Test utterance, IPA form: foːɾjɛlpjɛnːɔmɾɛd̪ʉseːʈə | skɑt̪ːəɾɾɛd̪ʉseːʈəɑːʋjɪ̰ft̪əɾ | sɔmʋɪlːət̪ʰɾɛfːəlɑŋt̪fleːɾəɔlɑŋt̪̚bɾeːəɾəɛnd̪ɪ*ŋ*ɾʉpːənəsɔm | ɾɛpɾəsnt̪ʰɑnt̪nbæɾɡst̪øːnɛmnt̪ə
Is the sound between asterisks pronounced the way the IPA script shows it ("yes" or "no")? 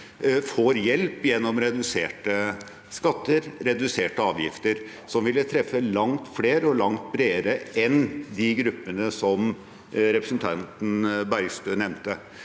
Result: no